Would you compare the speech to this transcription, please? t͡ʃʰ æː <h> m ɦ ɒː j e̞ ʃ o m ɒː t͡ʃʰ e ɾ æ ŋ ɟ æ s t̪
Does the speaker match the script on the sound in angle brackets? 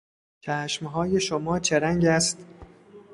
no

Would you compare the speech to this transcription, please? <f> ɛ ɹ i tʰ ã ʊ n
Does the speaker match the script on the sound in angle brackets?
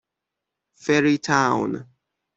yes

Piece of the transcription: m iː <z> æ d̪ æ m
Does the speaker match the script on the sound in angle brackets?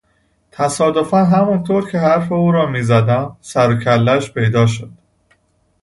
yes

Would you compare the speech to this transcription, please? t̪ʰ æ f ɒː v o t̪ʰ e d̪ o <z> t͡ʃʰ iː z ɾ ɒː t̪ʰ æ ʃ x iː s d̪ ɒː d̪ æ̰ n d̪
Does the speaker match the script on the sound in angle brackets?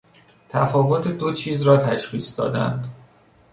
no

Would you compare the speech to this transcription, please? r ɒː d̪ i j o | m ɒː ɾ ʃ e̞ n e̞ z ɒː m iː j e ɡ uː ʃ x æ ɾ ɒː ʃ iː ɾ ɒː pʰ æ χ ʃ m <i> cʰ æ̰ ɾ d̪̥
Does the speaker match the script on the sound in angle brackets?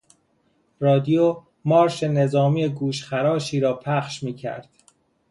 no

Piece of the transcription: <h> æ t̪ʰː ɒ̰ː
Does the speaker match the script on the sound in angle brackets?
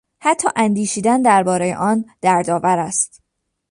yes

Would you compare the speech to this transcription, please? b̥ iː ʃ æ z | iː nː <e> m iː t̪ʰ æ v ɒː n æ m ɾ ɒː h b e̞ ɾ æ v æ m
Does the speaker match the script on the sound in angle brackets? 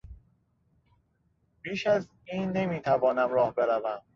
yes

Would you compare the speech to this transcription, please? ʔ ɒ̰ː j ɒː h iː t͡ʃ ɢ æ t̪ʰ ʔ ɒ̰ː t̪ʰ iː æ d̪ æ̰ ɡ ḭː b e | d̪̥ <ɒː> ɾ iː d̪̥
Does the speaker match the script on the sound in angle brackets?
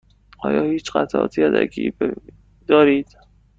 yes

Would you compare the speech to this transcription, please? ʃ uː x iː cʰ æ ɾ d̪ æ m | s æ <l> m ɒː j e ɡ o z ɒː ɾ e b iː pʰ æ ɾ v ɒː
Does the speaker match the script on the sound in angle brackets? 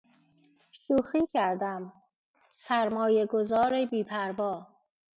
no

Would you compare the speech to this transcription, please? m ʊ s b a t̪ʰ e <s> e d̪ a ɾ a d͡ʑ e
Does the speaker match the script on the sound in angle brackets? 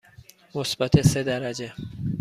yes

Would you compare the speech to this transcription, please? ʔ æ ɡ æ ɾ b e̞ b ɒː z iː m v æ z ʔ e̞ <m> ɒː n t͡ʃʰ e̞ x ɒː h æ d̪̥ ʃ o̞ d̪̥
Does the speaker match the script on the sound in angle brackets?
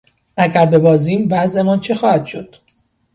yes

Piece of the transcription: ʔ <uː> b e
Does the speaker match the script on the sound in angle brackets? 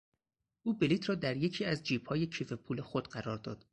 yes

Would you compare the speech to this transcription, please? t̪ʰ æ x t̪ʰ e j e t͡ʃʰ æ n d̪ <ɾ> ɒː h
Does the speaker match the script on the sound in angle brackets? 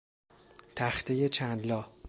no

